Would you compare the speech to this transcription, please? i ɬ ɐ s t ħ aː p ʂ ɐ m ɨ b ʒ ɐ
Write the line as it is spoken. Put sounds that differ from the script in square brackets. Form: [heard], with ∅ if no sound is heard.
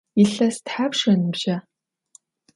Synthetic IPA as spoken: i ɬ ɐ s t ħ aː p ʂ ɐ [n] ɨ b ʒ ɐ